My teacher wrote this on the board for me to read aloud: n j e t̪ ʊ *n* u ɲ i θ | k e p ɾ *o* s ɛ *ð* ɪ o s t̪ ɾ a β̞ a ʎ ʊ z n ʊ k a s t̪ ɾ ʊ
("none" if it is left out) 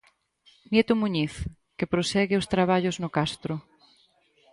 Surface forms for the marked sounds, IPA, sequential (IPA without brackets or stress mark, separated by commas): m, o, ɣ